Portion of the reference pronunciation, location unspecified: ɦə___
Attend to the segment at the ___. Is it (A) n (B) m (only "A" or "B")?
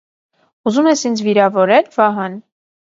A